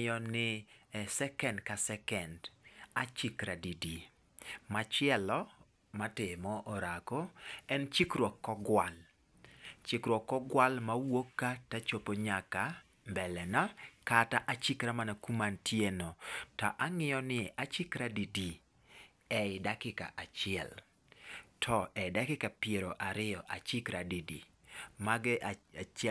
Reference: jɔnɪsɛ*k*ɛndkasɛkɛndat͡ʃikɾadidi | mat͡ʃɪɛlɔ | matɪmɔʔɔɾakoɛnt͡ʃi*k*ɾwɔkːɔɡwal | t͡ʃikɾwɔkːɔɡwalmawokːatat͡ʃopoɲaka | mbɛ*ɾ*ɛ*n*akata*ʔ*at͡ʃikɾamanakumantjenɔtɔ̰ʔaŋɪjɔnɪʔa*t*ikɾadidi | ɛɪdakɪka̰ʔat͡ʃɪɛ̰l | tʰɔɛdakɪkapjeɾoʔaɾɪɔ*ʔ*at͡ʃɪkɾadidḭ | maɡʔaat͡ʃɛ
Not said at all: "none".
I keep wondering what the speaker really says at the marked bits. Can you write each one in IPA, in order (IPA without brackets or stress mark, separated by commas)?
k, k, l, n, ʔ, t͡ʃ, ʔ